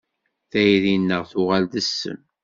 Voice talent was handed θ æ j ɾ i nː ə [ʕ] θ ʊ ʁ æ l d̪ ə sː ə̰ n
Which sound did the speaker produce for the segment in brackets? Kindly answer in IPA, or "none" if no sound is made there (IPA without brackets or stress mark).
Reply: ʁ